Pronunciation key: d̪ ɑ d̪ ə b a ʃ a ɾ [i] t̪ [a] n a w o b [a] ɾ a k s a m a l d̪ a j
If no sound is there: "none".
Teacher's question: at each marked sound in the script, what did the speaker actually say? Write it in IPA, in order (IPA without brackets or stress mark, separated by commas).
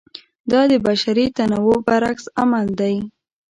i, a, a